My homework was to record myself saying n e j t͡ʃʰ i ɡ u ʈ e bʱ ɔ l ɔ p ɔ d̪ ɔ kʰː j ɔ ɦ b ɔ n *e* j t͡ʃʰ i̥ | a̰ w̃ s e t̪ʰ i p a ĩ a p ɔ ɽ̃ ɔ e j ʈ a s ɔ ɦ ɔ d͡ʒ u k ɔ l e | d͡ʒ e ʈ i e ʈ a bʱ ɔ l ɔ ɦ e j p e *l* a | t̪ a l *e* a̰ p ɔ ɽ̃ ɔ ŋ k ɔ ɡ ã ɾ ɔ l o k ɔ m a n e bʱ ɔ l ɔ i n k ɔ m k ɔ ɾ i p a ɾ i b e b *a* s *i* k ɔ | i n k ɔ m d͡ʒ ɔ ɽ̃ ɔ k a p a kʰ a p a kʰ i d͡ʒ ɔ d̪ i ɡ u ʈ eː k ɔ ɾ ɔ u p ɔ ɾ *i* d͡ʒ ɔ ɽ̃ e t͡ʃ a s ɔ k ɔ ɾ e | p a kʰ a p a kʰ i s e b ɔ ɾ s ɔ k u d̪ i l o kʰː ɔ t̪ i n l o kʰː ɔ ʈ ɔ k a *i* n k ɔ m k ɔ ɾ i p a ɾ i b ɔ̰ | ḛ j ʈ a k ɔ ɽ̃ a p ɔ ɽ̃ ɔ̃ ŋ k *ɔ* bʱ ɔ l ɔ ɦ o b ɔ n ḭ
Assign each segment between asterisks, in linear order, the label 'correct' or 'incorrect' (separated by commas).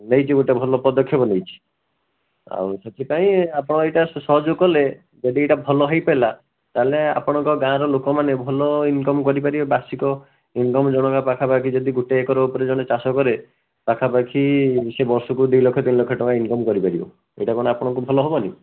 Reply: correct, correct, correct, correct, correct, incorrect, correct, incorrect